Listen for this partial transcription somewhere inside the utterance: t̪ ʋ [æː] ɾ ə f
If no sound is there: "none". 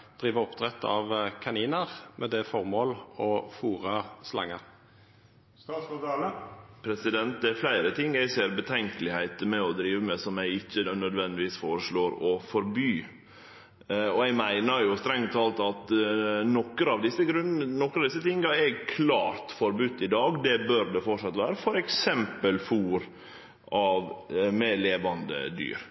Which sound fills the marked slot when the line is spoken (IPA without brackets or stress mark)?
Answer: æː